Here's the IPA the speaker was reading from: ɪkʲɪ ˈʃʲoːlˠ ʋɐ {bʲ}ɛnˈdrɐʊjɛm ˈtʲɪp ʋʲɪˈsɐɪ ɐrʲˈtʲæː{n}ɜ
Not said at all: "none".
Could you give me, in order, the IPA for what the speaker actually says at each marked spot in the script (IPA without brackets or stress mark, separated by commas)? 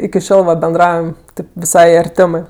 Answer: bʲ, m